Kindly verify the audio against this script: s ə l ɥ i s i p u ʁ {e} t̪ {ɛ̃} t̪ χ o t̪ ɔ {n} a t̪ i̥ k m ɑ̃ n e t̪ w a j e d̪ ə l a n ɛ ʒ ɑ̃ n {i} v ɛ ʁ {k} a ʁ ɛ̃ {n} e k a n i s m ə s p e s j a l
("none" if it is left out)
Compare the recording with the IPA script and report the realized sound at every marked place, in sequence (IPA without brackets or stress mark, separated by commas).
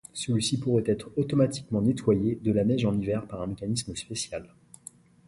ɛ, ɛ, m, i, p, m